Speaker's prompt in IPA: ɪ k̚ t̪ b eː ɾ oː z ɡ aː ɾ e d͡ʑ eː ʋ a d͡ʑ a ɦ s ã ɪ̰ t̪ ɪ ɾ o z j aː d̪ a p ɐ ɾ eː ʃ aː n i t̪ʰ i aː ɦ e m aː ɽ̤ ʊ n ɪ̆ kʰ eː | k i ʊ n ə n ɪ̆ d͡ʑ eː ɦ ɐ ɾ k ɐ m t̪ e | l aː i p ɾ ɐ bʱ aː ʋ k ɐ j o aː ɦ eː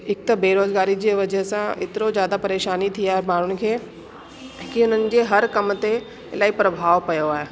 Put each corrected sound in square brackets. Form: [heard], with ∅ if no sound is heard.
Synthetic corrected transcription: ɪ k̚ t̪ b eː ɾ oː z ɡ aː ɾ [i] d͡ʑ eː ʋ [ɐ] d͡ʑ [ə] ɦ s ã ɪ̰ t̪ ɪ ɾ o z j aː d̪ a p ɐ ɾ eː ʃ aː n i t̪ʰ i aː ɦ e m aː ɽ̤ ʊ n ɪ̆ kʰ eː | k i ʊ n ə n ɪ̆ d͡ʑ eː ɦ ɐ ɾ k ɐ m t̪ e | l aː i p ɾ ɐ bʱ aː ʋ [p] ɐ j o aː ɦ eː